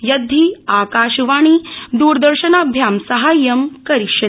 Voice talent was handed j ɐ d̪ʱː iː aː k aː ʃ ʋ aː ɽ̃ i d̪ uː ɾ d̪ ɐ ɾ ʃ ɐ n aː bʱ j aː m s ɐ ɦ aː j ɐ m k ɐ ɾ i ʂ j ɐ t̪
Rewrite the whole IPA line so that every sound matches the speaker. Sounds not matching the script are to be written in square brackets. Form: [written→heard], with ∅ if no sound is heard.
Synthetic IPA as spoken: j ɐ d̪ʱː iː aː k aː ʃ ʋ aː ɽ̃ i d̪ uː ɾ d̪ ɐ ɾ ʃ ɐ n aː bʱ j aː m s ɐ ɦ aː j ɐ m k ɐ ɾ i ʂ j ɐ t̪